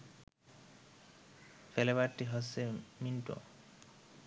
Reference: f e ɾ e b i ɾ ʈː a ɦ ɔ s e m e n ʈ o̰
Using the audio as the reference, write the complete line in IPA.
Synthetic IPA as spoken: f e l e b a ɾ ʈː i ɦ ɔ s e m i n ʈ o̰